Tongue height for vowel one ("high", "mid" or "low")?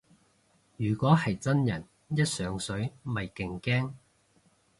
high